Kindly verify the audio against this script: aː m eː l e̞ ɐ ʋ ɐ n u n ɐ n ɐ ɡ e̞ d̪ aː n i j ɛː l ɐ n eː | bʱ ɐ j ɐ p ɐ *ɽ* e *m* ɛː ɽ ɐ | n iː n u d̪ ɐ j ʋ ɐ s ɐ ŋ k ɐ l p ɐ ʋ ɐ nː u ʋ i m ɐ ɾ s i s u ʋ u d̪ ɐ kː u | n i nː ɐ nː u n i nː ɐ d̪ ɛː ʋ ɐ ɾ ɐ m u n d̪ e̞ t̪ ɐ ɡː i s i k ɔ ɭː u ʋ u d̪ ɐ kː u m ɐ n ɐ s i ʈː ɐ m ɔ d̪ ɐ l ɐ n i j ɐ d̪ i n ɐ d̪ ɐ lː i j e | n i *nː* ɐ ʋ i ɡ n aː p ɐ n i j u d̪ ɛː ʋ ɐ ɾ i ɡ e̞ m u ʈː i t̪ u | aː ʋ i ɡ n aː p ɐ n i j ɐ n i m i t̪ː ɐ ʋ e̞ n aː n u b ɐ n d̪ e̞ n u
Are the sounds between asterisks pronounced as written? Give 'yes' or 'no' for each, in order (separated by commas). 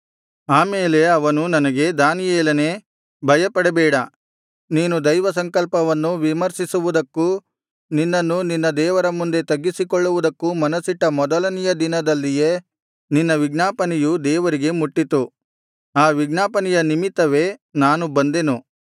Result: yes, no, yes